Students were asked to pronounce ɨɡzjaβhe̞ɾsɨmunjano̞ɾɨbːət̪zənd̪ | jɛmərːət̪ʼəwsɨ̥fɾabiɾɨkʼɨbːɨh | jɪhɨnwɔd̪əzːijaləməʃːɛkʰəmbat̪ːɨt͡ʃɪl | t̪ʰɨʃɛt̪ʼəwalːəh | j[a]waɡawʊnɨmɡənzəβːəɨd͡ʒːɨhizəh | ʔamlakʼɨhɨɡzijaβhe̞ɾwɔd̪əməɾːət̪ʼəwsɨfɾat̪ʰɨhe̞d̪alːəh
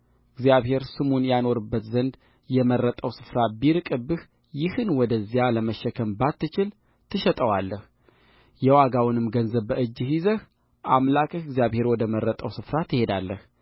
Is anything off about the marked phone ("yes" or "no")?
yes